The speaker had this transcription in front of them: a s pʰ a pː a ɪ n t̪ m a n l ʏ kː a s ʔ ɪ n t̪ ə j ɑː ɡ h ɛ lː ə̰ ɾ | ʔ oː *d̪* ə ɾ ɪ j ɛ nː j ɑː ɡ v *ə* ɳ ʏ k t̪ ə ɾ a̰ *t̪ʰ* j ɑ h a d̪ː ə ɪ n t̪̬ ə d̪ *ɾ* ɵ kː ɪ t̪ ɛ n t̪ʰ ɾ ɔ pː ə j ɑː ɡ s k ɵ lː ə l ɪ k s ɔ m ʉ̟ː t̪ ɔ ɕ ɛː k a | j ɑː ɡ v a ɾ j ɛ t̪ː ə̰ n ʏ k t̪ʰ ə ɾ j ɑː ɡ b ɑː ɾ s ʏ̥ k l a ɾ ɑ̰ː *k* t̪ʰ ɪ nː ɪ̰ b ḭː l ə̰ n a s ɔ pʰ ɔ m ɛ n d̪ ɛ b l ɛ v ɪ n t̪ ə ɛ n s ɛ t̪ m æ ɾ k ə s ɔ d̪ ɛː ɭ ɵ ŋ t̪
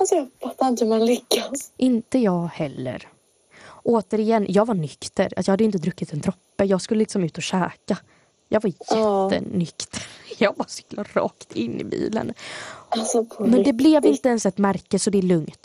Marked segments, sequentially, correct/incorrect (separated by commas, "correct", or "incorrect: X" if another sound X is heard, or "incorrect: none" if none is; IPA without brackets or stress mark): incorrect: t̪, incorrect: a, incorrect: t̪, correct, correct